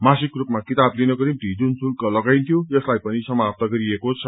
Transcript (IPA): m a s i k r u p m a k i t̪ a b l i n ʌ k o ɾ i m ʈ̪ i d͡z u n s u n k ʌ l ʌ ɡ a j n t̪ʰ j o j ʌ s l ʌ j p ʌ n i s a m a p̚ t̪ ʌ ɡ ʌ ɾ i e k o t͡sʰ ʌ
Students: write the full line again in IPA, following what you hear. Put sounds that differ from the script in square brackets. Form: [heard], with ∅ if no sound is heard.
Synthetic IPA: m a s i k r u p m a k i t̪ a b l i n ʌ k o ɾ i m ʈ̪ i d͡z u n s u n k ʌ l ʌ ɡ a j n t̪ʰ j o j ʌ s l [a] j p ʌ n i s [ʌ] m a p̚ t̪ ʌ ɡ ʌ ɾ i e k o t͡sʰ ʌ